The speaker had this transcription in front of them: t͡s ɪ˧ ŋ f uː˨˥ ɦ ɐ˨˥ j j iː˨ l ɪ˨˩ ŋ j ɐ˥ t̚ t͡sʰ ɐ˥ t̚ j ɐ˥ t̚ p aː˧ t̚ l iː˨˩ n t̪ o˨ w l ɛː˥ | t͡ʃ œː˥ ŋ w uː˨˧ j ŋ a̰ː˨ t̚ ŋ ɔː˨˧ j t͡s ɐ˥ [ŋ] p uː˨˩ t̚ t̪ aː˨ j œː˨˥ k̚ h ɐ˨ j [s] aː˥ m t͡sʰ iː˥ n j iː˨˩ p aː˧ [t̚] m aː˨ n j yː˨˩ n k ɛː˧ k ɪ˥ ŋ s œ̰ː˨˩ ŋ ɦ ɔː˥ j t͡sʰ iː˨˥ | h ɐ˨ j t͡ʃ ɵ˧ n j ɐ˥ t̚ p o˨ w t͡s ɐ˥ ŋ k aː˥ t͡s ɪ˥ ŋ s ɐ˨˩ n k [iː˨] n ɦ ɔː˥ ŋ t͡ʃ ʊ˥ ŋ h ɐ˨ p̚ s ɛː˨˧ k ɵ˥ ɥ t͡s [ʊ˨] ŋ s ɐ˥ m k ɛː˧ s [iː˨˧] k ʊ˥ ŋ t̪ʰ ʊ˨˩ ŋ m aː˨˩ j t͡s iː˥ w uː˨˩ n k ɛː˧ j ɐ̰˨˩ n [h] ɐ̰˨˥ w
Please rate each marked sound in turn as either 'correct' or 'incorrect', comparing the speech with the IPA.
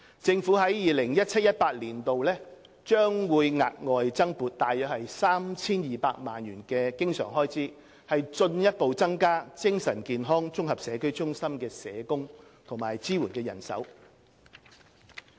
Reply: correct, correct, incorrect, correct, incorrect, incorrect, incorrect

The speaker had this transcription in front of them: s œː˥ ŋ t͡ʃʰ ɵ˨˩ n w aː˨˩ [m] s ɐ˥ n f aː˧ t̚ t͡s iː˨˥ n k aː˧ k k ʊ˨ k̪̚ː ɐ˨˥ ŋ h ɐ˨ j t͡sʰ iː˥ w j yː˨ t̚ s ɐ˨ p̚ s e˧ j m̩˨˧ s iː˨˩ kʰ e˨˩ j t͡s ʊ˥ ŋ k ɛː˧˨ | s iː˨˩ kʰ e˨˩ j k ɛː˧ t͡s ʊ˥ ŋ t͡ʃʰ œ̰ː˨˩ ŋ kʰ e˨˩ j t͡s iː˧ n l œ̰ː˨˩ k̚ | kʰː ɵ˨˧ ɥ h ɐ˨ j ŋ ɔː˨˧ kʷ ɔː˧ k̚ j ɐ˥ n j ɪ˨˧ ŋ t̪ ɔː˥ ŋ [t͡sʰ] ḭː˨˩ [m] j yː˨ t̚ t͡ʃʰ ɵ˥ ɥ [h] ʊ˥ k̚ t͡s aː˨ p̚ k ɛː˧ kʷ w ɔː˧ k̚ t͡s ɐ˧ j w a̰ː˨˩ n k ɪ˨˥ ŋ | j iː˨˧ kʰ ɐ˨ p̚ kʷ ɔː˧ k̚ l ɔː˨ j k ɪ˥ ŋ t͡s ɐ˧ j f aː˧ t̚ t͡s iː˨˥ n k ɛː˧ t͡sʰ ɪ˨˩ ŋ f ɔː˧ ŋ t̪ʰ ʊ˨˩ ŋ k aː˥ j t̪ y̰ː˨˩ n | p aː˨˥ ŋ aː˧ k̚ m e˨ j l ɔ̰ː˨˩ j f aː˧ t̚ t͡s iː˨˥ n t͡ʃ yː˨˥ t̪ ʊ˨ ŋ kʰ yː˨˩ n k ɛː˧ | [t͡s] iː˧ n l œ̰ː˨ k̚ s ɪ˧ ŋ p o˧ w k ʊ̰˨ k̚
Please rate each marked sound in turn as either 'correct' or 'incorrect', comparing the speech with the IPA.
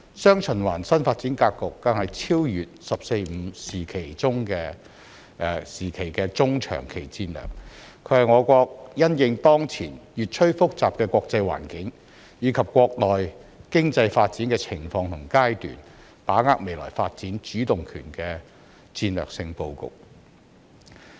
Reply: incorrect, correct, incorrect, incorrect, correct

